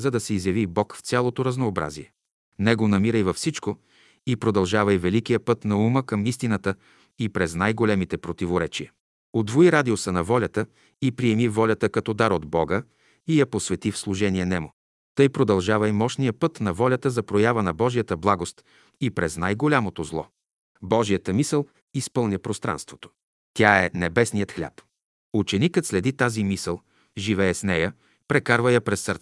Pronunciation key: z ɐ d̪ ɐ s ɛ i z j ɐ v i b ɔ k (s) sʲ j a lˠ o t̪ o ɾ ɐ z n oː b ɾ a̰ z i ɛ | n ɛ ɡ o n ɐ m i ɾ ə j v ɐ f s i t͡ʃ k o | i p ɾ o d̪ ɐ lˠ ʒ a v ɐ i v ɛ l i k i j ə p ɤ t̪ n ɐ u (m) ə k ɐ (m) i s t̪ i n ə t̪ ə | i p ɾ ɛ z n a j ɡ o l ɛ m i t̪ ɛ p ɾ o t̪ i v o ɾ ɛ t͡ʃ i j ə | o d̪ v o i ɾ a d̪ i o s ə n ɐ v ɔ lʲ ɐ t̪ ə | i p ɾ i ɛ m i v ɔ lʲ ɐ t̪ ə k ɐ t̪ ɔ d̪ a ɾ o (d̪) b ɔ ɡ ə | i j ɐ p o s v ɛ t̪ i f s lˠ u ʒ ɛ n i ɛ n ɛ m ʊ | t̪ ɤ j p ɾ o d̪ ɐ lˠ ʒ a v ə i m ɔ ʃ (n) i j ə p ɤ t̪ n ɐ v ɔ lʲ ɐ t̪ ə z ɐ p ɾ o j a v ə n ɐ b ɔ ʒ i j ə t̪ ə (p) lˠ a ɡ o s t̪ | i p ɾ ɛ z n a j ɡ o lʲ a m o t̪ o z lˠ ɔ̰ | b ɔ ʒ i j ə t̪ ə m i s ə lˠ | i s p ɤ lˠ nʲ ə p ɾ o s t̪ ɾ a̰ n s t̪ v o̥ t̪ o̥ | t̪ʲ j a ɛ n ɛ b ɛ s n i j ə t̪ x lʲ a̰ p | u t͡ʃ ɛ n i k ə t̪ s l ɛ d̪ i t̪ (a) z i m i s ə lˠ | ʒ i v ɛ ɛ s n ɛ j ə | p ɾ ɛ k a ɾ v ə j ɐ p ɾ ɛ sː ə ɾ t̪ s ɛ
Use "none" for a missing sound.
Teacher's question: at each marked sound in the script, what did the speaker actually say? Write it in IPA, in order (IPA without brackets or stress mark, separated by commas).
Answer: f, m, m, d̪, n, b, a